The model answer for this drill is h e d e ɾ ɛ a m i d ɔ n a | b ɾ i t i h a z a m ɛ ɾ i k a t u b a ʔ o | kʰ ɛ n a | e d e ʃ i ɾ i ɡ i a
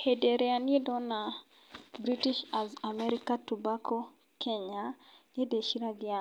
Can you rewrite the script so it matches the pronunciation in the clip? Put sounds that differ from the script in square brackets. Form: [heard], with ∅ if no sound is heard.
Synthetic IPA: h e d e ɾ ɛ a [n] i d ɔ n a | b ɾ i t i [ʃ] a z a m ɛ ɾ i k a t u b a [k] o | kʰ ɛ [ɲ] a | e d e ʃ i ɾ [a] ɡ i a